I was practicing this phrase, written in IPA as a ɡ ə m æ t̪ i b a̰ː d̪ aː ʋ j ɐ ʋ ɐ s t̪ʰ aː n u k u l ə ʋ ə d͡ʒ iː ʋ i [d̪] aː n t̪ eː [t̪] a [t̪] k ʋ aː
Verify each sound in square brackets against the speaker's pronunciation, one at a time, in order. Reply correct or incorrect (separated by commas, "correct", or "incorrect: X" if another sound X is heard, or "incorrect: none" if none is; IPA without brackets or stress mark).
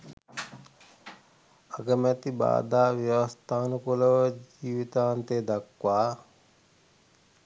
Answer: incorrect: t̪, incorrect: d̪, incorrect: none